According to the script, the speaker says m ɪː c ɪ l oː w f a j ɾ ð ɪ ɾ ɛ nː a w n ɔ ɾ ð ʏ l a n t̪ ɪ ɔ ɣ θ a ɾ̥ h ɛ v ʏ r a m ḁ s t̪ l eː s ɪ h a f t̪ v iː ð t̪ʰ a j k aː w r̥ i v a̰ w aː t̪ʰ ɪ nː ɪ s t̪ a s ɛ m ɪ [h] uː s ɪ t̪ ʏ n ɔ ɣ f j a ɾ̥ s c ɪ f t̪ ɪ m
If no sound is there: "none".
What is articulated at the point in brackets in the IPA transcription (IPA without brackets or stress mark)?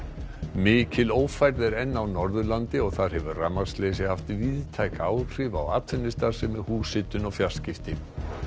h